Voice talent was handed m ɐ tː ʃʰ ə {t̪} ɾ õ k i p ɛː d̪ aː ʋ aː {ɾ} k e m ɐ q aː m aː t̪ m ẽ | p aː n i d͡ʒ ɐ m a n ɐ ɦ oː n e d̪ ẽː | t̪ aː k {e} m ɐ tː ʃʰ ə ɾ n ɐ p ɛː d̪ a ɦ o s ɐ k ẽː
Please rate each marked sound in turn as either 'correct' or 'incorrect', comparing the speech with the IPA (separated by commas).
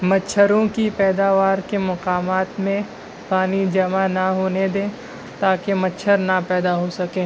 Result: incorrect, correct, correct